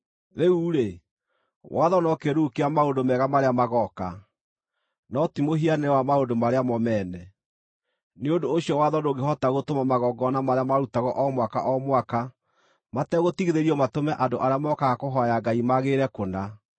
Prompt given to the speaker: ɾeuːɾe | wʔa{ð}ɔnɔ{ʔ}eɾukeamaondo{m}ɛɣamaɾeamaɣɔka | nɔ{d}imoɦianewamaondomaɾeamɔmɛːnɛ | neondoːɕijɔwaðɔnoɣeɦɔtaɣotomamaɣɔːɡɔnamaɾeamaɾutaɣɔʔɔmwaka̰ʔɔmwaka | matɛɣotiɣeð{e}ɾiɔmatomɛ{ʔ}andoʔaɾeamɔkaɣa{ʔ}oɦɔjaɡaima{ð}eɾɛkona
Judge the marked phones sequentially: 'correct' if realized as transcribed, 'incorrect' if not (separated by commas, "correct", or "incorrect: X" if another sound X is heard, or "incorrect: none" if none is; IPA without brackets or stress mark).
correct, incorrect: k, correct, incorrect: t, correct, correct, incorrect: k, incorrect: ɣ